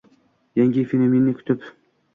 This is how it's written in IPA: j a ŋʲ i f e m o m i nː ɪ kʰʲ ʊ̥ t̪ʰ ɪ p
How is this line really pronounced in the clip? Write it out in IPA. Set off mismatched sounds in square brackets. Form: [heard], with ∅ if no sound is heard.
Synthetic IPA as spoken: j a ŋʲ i f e [n] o m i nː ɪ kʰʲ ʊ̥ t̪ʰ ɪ p